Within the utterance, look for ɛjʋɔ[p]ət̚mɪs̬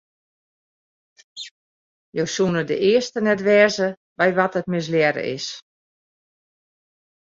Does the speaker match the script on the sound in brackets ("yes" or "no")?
no